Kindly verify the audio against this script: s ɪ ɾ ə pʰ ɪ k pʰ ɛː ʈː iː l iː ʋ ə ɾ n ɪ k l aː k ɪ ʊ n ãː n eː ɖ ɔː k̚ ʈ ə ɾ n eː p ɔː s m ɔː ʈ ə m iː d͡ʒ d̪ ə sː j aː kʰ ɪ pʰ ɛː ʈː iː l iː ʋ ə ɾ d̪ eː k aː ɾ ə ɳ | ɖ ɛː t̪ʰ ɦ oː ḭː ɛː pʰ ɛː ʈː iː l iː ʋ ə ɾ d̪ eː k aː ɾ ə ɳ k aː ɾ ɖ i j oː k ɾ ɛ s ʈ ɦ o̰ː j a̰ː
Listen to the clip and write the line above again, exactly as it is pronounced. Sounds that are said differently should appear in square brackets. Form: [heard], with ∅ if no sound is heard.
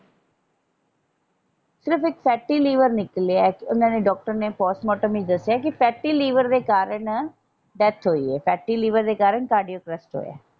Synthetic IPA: s ɪ ɾ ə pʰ ɪ k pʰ ɛː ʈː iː l iː ʋ ə ɾ n ɪ k l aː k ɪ ʊ n ãː n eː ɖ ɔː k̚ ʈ ə ɾ n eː p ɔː s m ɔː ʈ ə m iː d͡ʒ d̪ ə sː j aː [k] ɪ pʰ ɛː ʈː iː l iː ʋ ə ɾ d̪ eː k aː ɾ ə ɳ | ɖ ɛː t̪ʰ ɦ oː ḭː ɛː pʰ ɛː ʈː iː l iː ʋ ə ɾ d̪ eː k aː ɾ ə ɳ k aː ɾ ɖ i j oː k ɾ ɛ s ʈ ɦ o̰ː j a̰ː

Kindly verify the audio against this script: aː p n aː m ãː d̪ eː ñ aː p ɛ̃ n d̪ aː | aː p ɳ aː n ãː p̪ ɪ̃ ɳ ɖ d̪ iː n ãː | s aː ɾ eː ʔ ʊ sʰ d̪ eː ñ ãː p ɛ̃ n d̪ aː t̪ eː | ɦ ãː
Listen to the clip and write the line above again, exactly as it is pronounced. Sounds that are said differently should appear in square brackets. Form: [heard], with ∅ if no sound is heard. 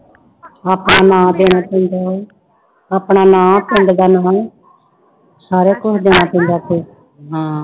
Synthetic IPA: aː p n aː [n] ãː d̪ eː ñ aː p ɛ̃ n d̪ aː | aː p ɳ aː n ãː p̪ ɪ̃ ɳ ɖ d̪ [aː] n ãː | s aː ɾ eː [k] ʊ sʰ d̪ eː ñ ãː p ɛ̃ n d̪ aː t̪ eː | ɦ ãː

